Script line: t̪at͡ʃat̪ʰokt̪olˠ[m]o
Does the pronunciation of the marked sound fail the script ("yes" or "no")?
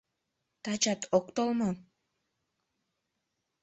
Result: no